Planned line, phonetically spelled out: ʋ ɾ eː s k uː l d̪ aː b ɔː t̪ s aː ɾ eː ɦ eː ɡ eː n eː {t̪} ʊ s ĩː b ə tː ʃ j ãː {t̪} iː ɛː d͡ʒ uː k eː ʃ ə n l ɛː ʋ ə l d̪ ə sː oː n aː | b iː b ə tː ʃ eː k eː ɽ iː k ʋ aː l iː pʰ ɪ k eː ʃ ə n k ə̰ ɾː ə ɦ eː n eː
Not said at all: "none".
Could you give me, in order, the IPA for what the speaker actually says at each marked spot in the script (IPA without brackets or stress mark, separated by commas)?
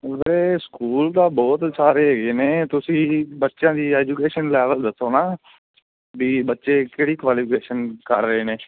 t̪, d̪